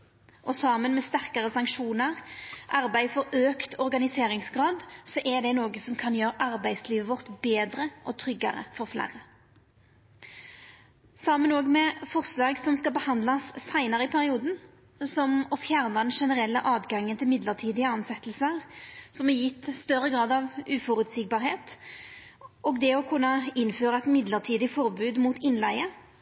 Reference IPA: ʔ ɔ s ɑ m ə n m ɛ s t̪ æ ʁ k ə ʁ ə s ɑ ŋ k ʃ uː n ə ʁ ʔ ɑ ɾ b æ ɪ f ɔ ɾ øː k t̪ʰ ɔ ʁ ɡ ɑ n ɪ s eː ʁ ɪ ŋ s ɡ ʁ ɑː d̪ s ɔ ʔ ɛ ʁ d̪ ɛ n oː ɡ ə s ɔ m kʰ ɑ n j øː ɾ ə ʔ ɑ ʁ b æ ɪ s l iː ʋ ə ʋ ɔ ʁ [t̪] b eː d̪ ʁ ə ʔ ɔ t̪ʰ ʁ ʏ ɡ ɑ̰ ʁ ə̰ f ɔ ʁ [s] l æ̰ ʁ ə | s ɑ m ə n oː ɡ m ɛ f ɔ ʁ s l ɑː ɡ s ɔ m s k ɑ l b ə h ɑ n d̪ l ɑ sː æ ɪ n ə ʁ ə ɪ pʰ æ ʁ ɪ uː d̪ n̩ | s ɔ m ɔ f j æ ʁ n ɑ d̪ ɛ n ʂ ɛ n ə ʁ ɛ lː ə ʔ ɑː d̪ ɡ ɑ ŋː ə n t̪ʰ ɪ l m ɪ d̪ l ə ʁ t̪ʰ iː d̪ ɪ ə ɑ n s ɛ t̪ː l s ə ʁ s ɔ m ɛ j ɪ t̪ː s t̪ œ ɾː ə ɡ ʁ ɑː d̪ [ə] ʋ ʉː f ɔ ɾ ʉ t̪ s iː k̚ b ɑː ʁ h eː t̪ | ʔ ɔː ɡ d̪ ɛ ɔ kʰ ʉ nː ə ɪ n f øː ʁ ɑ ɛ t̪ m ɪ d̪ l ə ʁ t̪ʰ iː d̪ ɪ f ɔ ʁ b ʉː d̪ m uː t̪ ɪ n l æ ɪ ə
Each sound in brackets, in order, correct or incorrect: correct, incorrect: f, incorrect: ɑ

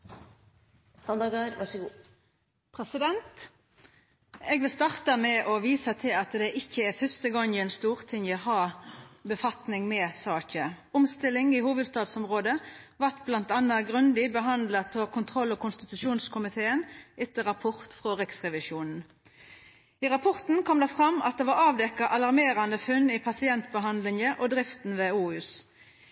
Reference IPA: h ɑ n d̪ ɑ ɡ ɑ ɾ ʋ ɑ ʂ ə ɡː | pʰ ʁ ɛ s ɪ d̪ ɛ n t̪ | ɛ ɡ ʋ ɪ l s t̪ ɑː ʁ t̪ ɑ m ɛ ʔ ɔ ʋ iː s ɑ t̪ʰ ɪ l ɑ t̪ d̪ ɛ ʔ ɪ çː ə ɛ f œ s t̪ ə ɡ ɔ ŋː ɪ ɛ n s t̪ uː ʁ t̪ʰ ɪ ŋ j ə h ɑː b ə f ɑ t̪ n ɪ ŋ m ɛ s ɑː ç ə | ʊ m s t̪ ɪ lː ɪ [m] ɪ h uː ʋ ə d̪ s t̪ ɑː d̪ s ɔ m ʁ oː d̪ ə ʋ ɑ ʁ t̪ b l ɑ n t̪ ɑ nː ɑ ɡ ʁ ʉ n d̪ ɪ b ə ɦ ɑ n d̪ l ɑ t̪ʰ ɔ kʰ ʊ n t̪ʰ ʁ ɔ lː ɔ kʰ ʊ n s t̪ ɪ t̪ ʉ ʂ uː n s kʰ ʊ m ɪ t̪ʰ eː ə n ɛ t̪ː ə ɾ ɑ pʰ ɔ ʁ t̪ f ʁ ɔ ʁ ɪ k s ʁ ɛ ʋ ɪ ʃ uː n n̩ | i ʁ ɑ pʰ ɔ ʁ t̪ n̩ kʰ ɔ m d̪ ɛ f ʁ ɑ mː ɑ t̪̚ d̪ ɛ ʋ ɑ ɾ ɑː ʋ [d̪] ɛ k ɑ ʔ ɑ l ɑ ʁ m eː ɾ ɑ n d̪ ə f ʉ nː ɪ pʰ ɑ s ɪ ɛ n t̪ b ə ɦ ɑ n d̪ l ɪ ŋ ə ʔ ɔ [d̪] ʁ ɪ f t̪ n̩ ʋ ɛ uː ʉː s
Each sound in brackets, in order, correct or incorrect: incorrect: ŋ, correct, correct

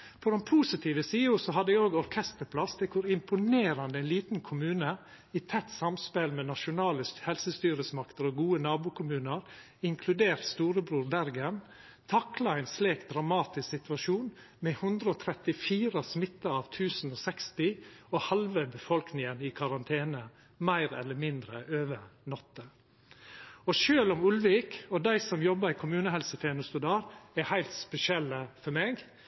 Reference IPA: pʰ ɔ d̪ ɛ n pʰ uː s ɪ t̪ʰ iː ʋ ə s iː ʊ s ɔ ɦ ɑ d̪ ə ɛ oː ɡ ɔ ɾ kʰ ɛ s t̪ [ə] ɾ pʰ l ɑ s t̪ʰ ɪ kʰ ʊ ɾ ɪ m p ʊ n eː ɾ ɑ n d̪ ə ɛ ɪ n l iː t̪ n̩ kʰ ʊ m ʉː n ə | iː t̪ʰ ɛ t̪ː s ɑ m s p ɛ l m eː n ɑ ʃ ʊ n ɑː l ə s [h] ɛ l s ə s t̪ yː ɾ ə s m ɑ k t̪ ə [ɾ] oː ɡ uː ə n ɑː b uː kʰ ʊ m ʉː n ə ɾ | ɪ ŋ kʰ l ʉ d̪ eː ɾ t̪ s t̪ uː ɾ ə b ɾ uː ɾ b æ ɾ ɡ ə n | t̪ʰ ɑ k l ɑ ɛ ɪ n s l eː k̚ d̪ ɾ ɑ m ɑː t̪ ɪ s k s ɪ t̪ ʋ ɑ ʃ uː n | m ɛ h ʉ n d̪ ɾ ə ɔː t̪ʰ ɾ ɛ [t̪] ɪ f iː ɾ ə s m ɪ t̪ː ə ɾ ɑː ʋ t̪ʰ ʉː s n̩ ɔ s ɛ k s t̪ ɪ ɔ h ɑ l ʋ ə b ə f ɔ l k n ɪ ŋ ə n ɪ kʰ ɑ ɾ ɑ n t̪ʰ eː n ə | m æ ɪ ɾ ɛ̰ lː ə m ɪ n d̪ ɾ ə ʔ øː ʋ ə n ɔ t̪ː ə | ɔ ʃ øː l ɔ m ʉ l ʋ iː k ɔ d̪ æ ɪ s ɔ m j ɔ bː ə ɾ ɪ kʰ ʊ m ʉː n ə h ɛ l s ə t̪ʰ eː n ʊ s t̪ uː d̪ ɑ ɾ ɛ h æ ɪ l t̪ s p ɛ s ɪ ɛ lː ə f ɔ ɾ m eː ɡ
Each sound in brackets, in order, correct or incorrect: correct, correct, correct, correct

